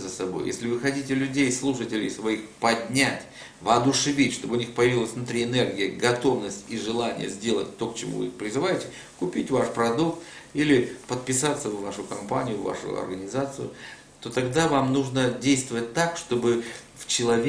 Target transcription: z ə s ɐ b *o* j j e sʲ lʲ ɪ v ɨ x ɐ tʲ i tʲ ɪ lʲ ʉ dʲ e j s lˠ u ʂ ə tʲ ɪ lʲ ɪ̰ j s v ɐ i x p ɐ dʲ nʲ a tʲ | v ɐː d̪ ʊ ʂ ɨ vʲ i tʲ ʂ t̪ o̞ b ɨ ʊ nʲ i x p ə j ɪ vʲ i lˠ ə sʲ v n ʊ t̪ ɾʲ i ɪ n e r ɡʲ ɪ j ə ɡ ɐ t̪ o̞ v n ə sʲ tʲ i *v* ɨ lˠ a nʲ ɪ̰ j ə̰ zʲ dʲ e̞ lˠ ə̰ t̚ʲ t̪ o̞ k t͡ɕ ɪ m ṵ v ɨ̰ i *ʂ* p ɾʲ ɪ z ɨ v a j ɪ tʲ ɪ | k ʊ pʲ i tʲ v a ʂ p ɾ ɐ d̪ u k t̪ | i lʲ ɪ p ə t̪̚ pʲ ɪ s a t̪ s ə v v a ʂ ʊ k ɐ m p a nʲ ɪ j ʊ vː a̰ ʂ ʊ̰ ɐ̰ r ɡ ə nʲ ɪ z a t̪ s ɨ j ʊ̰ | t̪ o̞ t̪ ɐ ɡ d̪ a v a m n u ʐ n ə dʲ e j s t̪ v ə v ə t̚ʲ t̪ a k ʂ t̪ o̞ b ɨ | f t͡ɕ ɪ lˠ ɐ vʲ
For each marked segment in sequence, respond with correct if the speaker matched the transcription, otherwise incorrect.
correct, incorrect: ʐ, incorrect: x

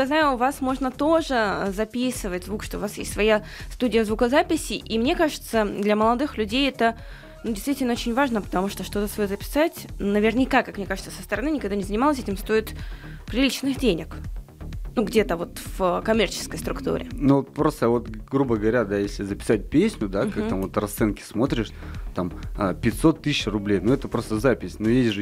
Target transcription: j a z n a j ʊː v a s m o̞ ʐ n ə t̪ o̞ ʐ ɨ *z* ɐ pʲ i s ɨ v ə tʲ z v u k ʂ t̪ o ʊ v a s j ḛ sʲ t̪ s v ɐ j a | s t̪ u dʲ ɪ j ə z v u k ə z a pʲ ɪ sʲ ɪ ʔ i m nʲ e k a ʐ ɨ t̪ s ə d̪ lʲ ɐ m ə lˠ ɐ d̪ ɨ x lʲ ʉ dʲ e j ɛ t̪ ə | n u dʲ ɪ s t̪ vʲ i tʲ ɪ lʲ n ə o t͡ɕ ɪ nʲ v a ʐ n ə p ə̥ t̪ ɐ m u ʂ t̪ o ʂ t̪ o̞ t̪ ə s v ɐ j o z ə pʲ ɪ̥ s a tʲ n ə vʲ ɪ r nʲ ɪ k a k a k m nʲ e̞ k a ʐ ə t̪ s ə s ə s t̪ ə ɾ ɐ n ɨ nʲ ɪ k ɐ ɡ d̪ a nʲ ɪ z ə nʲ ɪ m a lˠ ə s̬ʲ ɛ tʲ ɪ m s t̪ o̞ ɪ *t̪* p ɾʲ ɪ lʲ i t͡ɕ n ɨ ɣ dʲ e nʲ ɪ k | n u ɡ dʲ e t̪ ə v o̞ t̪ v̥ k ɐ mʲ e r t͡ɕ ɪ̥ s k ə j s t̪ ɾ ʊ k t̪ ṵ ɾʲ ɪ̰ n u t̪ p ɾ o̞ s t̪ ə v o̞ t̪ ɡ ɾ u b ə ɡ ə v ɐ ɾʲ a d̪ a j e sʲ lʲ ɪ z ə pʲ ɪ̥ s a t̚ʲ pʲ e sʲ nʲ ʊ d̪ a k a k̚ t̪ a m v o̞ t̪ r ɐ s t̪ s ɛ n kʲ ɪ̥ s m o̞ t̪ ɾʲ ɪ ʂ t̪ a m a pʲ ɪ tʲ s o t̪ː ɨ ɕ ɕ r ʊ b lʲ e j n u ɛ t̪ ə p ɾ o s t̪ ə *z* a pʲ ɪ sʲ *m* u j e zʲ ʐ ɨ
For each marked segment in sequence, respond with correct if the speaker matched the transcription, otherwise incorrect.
correct, correct, correct, incorrect: n

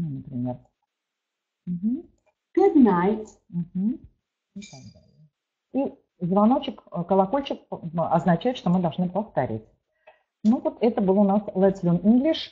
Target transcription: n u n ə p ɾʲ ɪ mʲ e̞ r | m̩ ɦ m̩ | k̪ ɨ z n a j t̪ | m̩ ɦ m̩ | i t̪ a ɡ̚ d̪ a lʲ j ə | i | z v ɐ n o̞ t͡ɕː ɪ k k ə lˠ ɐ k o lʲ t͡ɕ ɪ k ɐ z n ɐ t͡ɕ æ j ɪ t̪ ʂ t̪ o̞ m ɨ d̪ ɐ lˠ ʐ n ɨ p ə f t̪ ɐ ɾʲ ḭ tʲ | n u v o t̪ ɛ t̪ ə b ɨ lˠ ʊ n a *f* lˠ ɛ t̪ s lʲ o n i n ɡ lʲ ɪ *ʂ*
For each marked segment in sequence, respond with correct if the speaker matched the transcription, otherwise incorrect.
incorrect: s, correct

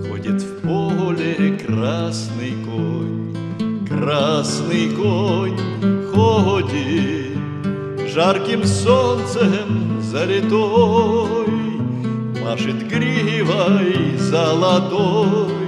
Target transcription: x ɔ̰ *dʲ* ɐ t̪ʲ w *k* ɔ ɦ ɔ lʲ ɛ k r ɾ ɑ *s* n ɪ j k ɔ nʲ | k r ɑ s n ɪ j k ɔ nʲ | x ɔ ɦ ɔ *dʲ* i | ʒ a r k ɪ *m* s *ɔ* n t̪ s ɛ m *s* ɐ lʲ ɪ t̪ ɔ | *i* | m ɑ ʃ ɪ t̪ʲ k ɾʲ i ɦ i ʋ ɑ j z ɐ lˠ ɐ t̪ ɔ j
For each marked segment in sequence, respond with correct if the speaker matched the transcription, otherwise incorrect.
correct, incorrect: p, correct, correct, correct, correct, incorrect: z, incorrect: j

